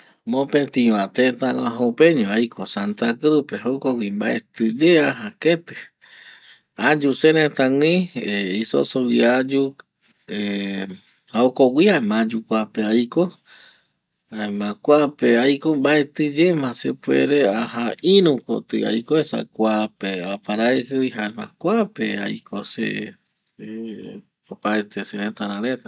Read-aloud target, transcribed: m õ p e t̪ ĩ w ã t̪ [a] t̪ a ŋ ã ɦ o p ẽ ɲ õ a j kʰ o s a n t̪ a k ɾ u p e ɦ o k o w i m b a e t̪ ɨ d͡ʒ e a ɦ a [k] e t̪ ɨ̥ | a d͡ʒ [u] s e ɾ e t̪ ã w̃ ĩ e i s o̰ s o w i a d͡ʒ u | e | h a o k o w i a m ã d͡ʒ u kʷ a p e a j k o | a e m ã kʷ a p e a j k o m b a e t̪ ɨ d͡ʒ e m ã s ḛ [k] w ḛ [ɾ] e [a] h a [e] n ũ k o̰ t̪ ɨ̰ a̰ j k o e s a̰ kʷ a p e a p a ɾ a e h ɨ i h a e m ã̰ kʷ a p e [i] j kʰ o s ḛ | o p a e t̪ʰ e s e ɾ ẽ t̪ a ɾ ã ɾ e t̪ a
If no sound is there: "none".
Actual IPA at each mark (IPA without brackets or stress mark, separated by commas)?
e, k, u, p, ɾ, a, i, a